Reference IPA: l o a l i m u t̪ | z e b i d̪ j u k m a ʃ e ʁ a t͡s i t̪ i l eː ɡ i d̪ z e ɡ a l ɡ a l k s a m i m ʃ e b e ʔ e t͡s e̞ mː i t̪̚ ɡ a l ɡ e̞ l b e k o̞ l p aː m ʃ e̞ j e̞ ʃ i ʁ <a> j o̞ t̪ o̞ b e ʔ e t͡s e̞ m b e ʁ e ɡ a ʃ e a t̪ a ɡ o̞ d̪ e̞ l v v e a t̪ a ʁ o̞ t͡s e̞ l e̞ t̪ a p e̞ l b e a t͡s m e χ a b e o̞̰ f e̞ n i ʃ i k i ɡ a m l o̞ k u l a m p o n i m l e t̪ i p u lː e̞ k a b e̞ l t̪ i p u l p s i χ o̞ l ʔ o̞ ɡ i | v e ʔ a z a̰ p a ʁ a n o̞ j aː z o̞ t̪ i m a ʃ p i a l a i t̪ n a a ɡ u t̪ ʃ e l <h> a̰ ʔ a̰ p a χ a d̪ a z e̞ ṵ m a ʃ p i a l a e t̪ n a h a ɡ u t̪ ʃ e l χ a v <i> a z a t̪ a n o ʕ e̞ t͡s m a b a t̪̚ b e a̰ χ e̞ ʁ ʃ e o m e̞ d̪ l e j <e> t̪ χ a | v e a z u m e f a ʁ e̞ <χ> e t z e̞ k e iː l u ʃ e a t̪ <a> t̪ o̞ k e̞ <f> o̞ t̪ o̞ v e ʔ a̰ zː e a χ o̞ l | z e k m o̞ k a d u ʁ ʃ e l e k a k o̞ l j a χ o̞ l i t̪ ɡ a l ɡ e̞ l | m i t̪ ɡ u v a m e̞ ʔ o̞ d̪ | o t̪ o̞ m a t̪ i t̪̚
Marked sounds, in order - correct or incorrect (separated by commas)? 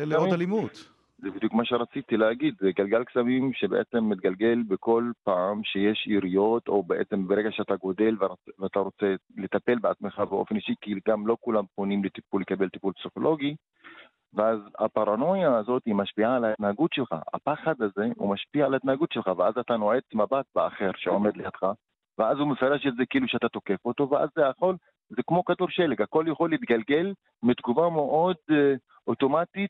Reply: incorrect, incorrect, incorrect, incorrect, incorrect, correct, correct